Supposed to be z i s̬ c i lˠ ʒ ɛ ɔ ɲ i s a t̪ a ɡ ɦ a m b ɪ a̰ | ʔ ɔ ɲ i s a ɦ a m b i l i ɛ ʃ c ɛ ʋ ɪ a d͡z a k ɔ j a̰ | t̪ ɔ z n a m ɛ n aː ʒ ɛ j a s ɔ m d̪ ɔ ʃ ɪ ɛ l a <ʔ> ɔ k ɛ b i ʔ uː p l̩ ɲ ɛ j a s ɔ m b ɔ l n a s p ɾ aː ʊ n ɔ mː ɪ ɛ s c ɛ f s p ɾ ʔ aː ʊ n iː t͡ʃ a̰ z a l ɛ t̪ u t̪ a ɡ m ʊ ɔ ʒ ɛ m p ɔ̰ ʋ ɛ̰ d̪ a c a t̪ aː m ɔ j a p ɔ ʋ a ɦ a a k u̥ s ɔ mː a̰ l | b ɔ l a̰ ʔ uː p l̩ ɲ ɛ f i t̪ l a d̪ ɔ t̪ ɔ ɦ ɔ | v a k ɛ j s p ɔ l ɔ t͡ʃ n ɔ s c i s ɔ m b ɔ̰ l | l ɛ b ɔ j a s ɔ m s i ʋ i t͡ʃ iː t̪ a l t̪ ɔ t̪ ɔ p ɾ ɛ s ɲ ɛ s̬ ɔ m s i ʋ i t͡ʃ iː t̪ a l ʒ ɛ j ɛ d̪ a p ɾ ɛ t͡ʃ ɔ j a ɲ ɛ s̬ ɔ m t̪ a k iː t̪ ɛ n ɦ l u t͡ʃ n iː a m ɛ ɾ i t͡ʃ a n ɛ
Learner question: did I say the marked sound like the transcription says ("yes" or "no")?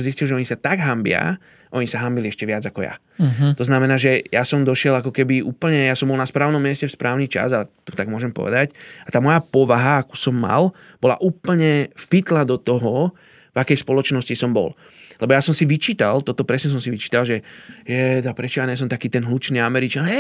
no